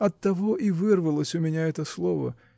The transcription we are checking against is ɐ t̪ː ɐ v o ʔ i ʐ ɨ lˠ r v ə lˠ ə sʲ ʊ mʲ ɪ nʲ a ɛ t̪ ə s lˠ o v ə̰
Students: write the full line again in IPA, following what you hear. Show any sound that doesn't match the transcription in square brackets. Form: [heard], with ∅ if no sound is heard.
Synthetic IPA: ɐ t̪ː ɐ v o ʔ i [v] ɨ [∅] r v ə lˠ ə sʲ ʊ mʲ ɪ nʲ a ɛ t̪ ə s lˠ o v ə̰